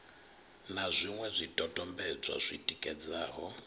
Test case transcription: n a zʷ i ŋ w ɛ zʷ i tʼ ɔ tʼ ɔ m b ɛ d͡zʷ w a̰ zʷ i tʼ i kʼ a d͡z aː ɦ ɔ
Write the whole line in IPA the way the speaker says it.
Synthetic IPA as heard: n a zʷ i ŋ w ɛ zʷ i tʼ ɔ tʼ ɔ m b ɛ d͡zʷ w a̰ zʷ i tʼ i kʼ ɛ d͡z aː ɦ ɔ